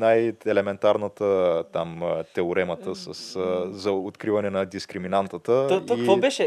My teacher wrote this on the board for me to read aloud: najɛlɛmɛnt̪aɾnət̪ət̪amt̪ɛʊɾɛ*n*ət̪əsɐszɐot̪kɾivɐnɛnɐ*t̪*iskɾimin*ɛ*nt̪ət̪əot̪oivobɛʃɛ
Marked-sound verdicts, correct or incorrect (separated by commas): incorrect, incorrect, incorrect